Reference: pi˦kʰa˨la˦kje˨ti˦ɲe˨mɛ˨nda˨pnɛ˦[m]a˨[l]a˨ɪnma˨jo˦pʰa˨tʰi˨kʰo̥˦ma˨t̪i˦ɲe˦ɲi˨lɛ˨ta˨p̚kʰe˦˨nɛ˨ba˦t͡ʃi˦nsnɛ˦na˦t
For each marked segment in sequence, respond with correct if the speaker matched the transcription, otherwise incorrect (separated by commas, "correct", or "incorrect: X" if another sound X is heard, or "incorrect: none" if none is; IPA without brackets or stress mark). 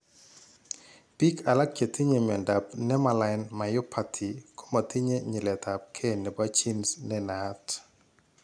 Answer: correct, correct